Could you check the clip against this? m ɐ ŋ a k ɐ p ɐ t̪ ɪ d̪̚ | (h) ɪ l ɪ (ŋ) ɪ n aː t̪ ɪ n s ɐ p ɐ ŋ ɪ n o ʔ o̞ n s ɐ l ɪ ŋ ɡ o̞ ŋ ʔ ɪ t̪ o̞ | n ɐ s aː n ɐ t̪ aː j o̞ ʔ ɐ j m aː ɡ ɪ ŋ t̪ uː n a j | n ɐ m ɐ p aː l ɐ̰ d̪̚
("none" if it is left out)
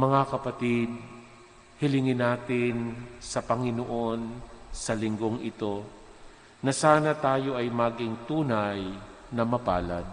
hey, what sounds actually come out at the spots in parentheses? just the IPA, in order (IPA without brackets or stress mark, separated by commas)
h, ŋ